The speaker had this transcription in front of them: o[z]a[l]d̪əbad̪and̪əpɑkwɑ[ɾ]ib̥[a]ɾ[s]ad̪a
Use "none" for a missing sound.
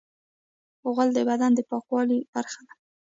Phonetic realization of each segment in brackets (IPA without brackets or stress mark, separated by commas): ɣ, l, l, a, x